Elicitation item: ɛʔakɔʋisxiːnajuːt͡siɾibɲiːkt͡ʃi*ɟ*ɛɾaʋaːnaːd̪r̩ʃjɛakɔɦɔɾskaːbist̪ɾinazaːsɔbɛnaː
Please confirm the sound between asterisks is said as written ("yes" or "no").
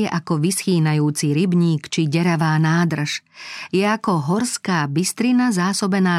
yes